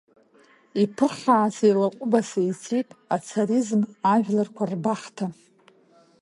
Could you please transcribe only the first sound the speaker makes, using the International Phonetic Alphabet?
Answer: i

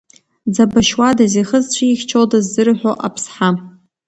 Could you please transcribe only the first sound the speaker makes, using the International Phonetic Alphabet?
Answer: d͡z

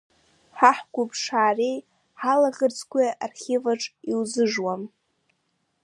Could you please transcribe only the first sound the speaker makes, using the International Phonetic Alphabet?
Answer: ħ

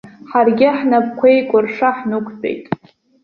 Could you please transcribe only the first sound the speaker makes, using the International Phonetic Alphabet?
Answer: ħ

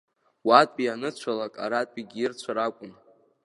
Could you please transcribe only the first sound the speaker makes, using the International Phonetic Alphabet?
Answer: w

